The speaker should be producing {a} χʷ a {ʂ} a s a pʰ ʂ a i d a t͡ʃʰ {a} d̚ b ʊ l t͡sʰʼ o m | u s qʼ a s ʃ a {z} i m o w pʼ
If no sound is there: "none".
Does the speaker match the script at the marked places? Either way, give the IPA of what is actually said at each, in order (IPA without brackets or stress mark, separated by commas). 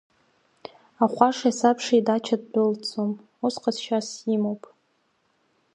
a, ʂ, a, s